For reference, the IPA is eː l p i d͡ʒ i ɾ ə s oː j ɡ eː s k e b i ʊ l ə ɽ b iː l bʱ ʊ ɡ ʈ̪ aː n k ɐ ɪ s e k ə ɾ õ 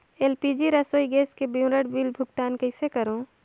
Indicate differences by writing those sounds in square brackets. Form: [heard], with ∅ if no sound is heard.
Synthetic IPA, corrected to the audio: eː l p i d͡ʒ i ɾ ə s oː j ɡ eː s k e b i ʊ [ɾ] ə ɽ b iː l bʱ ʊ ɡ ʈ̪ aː n k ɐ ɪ s e k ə ɾ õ